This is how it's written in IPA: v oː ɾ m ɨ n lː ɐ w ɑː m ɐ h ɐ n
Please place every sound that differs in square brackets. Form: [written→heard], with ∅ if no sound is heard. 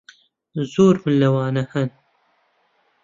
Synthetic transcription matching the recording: [v→z] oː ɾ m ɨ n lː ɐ w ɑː [m→n] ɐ h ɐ n

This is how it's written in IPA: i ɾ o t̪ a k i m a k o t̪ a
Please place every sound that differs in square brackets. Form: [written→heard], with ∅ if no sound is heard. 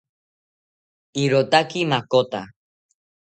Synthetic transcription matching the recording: i ɾ o t̪ a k i m a k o t̪ a

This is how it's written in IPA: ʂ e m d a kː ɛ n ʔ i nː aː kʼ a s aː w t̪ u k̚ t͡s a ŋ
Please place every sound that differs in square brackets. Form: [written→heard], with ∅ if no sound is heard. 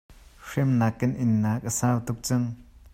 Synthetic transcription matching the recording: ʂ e m [d→n] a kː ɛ n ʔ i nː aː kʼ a s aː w t̪ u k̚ t͡s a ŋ

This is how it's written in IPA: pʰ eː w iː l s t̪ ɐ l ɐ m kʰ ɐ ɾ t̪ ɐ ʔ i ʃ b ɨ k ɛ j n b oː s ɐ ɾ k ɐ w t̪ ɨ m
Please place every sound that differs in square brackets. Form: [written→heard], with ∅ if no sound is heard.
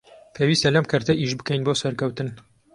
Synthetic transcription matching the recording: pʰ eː w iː [l→∅] s t̪ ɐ l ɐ m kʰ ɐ ɾ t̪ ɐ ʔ i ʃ b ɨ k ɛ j n b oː s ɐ ɾ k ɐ w t̪ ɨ [m→n]

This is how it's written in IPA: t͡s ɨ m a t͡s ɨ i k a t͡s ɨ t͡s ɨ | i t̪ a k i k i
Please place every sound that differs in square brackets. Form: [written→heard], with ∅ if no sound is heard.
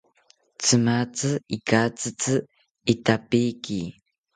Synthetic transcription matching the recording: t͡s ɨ m a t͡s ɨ i k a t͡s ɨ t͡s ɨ | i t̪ a [k→p] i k i

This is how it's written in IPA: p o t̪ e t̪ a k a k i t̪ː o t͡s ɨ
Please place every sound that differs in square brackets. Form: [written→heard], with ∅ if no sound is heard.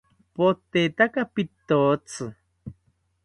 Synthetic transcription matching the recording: p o t̪ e t̪ a k a [k→p] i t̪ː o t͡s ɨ

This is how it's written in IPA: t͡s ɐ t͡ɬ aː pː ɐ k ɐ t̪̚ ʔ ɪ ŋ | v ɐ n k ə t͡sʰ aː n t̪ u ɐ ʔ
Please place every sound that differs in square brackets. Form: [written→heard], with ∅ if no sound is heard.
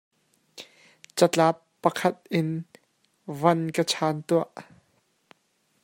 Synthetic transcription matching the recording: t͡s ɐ t͡ɬ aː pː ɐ [k→kʰ] ɐ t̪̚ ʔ ɪ [ŋ→n] | v ɐ n k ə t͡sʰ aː n t̪ u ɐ ʔ

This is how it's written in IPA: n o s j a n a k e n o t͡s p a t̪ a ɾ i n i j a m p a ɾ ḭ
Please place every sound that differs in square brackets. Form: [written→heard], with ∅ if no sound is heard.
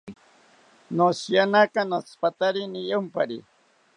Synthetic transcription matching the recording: n o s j a n a k [e→a] n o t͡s p a t̪ a ɾ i n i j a m p a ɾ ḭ

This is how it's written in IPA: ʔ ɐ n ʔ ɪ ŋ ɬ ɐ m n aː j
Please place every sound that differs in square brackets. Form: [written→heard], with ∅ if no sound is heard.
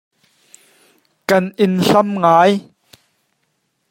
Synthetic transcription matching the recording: [ʔ→k] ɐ n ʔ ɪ [ŋ→n] ɬ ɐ m [n→ŋ] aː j

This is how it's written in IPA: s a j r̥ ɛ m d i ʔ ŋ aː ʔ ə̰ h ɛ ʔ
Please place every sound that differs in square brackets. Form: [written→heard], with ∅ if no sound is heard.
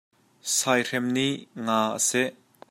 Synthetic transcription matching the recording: s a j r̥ ɛ m [d→n] i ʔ ŋ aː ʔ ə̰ [h→s] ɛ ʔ

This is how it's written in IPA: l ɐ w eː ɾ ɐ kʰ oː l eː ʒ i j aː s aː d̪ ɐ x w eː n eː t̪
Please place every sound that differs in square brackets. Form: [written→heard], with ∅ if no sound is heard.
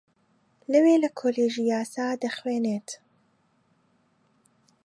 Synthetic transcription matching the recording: l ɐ w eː [ɾ→l] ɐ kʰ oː l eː ʒ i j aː s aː d̪ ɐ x w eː n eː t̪

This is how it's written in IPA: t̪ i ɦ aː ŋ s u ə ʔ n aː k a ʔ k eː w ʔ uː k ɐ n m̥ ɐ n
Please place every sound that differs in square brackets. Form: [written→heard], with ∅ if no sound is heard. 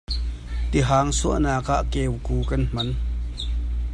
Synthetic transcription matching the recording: t̪ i ɦ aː ŋ s u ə ʔ n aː k a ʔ k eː w [ʔ→k] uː k ɐ n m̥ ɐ n

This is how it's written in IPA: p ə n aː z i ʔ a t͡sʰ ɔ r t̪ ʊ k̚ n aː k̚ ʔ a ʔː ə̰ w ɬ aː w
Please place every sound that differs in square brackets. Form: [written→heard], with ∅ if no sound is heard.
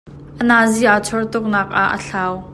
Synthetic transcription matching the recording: [p→ʔ] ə n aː z i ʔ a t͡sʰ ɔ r t̪ ʊ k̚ n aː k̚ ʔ a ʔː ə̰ [w→∅] ɬ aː w

